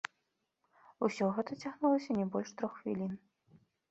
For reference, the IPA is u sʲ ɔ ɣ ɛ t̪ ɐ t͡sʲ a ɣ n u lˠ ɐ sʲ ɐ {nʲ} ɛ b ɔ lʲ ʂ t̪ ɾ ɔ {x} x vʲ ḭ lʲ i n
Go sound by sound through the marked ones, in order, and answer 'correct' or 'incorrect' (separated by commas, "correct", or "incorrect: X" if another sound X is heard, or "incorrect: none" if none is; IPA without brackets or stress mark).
correct, correct